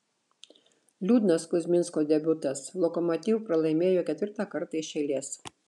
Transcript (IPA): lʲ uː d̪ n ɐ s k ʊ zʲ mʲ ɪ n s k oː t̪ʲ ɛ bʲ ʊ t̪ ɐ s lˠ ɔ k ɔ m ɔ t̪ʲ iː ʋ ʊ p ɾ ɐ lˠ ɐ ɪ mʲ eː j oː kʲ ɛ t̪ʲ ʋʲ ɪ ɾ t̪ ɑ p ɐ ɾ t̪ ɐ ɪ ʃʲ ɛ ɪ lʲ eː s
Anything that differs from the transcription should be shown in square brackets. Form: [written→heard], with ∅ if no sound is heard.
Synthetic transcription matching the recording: lʲ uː d̪ n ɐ s k ʊ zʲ mʲ ɪ n s k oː [t̪ʲ→d̪ʲ] ɛ bʲ ʊ t̪ ɐ s lˠ ɔ k ɔ m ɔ t̪ʲ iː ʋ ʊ p ɾ ɐ lˠ ɐ ɪ mʲ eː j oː kʲ ɛ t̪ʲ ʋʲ ɪ ɾ t̪ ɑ [p→k] ɐ ɾ t̪ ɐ ɪ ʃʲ ɛ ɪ lʲ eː s